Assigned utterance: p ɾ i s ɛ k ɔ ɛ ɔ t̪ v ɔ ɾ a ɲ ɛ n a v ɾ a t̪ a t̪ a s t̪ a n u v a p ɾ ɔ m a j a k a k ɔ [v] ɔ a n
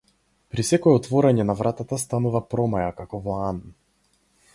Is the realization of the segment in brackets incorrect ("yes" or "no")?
no